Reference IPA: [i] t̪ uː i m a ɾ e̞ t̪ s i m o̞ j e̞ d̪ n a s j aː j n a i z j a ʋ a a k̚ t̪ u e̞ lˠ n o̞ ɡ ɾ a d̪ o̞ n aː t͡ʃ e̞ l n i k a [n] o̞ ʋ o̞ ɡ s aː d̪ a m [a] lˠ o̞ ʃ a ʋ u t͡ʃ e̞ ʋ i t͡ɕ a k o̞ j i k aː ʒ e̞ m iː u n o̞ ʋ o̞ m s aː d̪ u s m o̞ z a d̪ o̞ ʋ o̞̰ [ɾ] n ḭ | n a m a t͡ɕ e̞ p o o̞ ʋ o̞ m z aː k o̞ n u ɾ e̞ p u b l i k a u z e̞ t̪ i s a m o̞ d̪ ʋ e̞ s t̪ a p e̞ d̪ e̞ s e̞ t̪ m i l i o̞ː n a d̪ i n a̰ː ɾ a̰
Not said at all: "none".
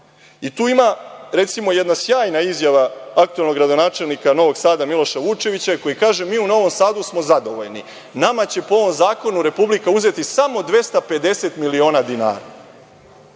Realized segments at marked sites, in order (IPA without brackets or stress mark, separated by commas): i, n, i, ʎ